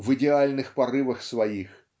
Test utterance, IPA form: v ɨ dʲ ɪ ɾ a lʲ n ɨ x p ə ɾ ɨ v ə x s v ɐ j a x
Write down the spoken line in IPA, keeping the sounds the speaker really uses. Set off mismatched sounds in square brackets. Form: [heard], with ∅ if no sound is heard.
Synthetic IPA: v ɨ dʲ ɪ [∅] a lʲ n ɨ x p [ɐ] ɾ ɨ v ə x s v ɐ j [i] x